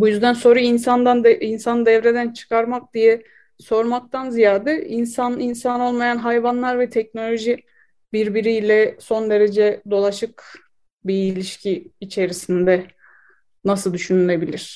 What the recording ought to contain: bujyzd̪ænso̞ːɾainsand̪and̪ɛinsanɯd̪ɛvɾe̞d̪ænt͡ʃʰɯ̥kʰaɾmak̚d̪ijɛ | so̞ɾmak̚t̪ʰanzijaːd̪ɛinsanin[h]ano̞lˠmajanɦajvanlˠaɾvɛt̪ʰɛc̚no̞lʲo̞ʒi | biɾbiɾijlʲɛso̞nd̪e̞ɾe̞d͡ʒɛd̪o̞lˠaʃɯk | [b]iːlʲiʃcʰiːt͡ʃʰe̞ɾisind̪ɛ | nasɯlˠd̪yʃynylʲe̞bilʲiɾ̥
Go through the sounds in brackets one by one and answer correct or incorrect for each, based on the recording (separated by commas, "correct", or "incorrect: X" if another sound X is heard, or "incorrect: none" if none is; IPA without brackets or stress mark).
incorrect: s, correct